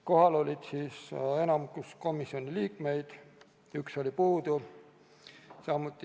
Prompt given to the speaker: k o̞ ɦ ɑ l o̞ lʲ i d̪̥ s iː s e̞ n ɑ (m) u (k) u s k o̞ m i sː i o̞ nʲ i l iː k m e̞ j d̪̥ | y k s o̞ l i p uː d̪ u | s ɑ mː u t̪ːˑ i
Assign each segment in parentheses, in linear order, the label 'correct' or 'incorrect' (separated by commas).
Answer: correct, correct